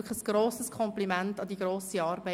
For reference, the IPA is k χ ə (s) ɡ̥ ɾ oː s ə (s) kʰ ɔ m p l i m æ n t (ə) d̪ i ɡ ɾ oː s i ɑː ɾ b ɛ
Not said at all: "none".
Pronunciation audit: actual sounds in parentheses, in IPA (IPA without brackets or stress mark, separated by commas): s, s, ɑ